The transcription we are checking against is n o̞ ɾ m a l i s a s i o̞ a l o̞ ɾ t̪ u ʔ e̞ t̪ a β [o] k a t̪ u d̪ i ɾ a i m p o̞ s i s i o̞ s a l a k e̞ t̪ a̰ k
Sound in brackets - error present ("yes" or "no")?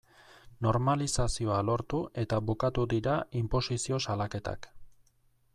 yes